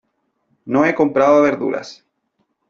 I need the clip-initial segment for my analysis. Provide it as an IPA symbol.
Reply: n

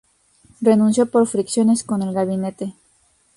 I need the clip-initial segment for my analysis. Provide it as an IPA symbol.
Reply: r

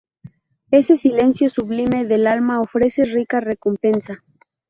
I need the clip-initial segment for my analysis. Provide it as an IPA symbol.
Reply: e̞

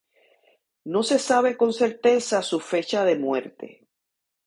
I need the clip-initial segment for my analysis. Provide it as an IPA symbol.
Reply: n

